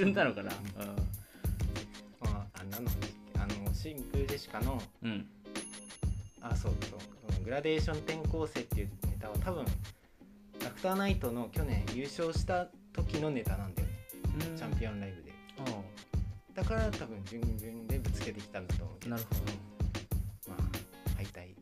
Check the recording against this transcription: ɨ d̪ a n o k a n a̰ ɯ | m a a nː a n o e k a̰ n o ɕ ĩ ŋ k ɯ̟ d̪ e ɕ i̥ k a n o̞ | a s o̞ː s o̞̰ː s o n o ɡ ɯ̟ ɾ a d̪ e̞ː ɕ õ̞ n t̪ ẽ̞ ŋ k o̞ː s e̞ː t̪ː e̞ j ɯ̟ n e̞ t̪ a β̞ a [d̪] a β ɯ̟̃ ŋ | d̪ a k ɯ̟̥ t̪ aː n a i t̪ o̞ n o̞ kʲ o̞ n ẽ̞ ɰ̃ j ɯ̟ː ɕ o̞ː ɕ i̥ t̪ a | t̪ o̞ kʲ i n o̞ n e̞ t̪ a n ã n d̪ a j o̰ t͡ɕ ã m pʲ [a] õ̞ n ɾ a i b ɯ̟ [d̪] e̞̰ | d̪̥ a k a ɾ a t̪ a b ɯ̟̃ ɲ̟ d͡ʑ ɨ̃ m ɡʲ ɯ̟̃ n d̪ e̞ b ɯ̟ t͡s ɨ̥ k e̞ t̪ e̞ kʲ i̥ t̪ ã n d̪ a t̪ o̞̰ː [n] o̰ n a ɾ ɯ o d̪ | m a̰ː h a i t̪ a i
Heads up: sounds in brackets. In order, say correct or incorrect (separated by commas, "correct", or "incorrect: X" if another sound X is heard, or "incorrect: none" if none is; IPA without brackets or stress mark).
incorrect: t̪, incorrect: i, correct, incorrect: m